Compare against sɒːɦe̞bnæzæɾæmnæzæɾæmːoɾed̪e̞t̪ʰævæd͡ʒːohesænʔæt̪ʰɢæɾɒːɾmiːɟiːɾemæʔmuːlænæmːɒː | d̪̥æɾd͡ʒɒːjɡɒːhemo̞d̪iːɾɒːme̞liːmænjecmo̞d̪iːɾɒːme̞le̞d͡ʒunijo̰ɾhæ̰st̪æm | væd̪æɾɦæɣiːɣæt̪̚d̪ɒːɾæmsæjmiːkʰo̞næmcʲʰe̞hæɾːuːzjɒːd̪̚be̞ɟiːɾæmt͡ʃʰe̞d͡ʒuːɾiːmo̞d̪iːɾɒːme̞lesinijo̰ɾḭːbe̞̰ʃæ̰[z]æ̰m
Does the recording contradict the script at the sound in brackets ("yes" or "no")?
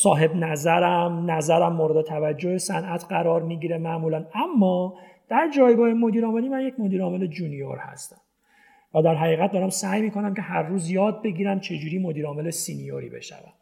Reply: yes